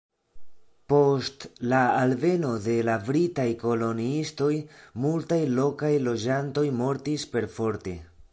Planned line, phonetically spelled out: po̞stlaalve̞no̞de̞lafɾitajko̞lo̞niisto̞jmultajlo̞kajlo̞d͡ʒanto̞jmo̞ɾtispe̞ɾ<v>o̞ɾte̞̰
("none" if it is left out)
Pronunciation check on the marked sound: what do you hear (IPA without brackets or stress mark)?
f